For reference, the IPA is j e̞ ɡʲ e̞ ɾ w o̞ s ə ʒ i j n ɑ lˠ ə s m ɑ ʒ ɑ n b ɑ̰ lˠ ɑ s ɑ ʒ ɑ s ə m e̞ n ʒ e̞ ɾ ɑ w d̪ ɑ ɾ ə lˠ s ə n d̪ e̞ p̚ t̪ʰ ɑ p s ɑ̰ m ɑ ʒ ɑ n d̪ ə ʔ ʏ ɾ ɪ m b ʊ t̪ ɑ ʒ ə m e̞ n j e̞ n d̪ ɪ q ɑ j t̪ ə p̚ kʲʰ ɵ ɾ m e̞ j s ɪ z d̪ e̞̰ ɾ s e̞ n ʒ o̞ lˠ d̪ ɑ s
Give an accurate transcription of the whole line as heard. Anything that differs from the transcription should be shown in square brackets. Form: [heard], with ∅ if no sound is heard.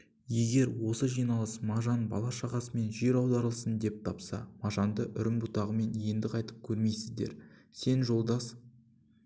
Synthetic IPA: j e̞ ɡʲ e̞ ɾ w o̞ s ə ʒ i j n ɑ lˠ ə s m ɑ ʒ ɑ n b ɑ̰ lˠ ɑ [ʃ] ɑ [ʁ] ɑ s ə m e̞ n ʒ e̞ ɾ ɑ w d̪ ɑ ɾ ə lˠ s ə n d̪ e̞ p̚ t̪ʰ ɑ p s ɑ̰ m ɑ ʒ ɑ n d̪ ə ʔ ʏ ɾ ɪ m b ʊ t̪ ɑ [ʁ] ə m e̞ n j e̞ n d̪ ɪ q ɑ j t̪ ə p̚ kʲʰ ɵ ɾ m e̞ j s ɪ z d̪ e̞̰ ɾ s e̞ n ʒ o̞ lˠ d̪ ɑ s

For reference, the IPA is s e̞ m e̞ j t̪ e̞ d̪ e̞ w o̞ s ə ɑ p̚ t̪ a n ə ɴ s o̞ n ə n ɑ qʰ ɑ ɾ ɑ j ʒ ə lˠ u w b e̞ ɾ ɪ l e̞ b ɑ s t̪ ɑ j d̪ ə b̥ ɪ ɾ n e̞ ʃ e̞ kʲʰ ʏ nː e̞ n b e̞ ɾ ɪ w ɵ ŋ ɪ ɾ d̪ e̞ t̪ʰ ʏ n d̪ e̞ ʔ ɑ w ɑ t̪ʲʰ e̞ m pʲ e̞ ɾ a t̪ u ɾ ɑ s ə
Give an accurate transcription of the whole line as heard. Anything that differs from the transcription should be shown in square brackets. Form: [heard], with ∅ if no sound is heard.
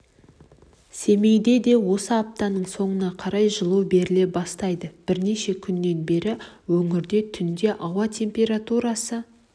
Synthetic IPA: s e̞ m e̞ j [d̪] e̞ d̪ e̞ w o̞ s ə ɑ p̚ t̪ [ɑ] n ə ɴ s o̞ [ɴ] ə n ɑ qʰ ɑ ɾ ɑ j ʒ ə lˠ u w b e̞ ɾ ɪ l e̞ b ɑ s t̪ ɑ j d̪ ə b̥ ɪ ɾ n e̞ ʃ e̞ kʲʰ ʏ nː e̞ n b e̞ ɾ ɪ w ɵ ŋ ɪ ɾ d̪ e̞ t̪ʰ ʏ n d̪ e̞ ʔ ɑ w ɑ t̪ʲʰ e̞ m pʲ e̞ ɾ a t̪ u ɾ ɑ s ə

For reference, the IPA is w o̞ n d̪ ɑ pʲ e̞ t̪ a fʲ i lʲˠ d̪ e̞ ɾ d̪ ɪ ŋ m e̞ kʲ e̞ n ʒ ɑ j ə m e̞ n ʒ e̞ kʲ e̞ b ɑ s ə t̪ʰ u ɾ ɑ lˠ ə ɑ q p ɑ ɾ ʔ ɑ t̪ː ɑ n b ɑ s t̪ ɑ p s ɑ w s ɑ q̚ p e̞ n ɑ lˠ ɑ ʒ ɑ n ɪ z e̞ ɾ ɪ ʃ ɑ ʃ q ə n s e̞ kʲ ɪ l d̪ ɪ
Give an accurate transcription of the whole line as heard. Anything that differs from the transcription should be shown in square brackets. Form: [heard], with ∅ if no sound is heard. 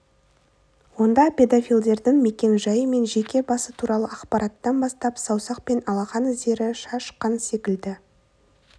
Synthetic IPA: w o̞ n d̪ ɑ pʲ e̞ [d̪] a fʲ i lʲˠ d̪ e̞ ɾ d̪ ɪ ŋ m e̞ kʲ e̞ n ʒ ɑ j ə m e̞ n ʒ e̞ kʲ e̞ b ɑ s ə t̪ʰ u ɾ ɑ lˠ ə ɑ q p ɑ ɾ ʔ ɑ t̪ː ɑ n b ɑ s t̪ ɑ p s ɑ w s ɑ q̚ p e̞ n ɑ lˠ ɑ [ʁ] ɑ n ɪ z e̞ ɾ ɪ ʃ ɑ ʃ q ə n s e̞ kʲ ɪ l d̪ ɪ

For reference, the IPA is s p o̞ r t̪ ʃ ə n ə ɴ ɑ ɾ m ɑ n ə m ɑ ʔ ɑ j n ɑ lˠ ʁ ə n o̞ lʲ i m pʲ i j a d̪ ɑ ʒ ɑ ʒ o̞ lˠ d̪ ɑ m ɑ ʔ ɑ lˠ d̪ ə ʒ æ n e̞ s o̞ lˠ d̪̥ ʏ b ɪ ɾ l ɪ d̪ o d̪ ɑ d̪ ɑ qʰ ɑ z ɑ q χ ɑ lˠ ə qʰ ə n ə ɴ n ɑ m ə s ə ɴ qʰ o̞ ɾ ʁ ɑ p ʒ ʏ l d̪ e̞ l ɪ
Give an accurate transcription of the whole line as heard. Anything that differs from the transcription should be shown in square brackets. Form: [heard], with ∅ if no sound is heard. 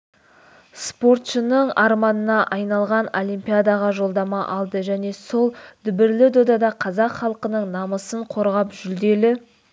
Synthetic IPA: s p o̞ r t̪ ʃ ə n ə ɴ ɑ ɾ m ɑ n ə [n] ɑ ʔ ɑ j n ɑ lˠ ʁ [ɑ] n o̞ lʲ i m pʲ i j a d̪ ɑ [ʁ] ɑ ʒ o̞ lˠ d̪ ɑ m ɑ ʔ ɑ lˠ d̪ ə ʒ æ n e̞ s o̞ lˠ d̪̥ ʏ b ɪ ɾ l ɪ d̪ o d̪ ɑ d̪ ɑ qʰ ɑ z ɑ q χ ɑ lˠ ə [q] ə n ə ɴ n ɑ m ə s ə ɴ qʰ o̞ ɾ ʁ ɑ p ʒ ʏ l d̪ e̞ l ɪ

